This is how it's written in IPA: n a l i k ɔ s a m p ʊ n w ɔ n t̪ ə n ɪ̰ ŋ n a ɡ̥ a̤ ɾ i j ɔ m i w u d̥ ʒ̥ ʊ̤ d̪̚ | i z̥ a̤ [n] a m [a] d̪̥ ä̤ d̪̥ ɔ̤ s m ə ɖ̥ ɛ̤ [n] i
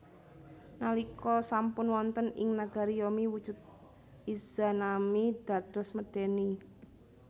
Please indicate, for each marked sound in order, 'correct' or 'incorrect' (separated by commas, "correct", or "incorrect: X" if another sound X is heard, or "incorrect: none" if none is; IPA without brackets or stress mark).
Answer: correct, incorrect: i, correct